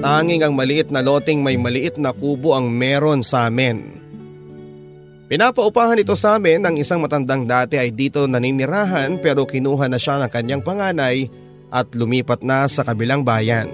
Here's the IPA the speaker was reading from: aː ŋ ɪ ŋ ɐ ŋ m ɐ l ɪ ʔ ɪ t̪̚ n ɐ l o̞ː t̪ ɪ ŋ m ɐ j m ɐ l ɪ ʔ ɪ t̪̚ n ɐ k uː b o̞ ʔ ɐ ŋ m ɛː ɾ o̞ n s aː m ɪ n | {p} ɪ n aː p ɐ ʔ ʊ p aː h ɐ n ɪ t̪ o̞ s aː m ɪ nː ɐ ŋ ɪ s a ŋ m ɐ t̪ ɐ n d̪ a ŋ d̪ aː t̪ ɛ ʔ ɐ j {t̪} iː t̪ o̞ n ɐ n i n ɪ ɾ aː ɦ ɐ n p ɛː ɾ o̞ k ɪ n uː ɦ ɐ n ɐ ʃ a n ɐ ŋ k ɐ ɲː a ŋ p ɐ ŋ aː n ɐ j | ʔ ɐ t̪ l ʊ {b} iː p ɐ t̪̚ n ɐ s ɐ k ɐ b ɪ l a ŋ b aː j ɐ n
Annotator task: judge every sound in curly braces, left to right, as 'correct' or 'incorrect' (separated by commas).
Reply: correct, incorrect, incorrect